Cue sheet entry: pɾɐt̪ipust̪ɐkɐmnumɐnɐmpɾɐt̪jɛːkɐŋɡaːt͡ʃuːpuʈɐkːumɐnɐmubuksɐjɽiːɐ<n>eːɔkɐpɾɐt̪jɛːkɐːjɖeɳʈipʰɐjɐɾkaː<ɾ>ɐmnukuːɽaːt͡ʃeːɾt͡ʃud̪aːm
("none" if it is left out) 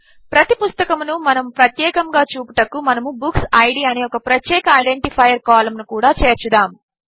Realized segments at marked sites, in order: n, l

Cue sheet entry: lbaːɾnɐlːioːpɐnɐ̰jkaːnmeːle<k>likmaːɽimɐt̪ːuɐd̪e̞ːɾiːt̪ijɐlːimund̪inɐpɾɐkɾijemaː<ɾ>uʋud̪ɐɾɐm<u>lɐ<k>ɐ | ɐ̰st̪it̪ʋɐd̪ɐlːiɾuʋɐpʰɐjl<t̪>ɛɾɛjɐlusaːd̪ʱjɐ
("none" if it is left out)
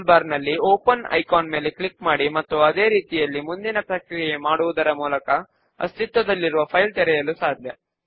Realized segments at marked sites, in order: k, ɽ, uː, k, t̪

